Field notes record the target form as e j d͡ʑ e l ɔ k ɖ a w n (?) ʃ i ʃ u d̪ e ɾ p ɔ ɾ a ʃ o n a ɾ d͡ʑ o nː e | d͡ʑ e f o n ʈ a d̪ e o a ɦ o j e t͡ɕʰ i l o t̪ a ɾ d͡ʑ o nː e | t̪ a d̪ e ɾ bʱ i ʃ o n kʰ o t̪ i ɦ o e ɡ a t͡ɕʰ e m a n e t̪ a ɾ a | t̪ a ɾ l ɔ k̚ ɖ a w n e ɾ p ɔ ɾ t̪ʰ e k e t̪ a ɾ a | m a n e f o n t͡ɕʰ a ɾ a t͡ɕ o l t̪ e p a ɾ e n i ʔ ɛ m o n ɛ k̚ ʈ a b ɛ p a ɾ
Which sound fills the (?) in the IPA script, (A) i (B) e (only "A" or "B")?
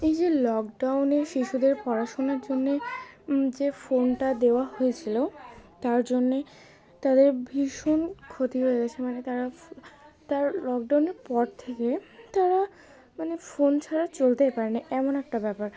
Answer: B